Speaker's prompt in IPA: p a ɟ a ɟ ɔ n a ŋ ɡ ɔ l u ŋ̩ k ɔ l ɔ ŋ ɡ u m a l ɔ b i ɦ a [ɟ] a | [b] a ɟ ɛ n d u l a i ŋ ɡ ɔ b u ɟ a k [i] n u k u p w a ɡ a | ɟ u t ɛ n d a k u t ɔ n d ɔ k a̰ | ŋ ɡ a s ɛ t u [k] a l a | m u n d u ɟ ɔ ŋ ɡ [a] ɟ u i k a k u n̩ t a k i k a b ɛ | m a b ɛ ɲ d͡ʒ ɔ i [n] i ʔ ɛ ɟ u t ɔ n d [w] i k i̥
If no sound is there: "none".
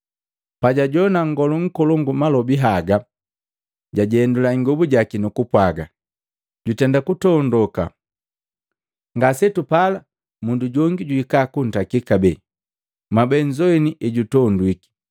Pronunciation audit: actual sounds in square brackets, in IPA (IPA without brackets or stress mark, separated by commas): ɡ, ɟ, i, p, i, n, w